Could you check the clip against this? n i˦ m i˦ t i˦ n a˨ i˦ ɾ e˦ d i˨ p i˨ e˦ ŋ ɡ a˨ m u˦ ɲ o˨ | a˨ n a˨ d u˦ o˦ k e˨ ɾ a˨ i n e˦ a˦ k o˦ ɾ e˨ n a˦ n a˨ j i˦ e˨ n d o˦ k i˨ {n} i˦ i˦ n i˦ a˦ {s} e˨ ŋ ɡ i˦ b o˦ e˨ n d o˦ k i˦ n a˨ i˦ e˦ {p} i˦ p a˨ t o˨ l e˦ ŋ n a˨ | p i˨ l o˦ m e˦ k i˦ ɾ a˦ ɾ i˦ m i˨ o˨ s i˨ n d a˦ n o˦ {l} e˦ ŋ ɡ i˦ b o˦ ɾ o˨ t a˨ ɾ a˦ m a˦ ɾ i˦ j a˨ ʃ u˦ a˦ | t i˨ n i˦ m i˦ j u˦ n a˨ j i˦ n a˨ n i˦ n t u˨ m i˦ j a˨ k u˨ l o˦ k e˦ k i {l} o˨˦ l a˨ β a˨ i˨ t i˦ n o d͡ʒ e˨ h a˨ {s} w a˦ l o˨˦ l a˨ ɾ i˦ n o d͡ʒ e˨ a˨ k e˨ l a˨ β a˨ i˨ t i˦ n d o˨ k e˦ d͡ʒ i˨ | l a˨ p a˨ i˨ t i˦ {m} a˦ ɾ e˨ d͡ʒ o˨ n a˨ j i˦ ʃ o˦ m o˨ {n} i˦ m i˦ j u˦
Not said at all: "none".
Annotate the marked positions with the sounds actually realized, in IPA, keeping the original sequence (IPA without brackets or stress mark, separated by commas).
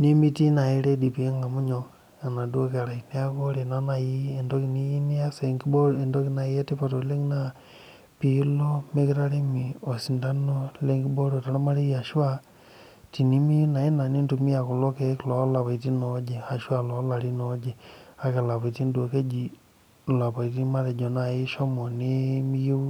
n, s, t, l, l, ʃ, m, n